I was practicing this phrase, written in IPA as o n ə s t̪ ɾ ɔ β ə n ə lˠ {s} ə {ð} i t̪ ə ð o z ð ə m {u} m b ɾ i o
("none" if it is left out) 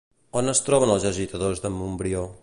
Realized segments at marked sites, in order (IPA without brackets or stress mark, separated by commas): z, ʒ, u